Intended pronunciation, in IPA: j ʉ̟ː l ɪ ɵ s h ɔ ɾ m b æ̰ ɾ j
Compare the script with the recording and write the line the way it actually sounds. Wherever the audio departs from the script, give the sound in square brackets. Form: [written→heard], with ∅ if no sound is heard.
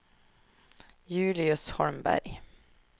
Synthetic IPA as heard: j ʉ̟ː l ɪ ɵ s h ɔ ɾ m b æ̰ ɾ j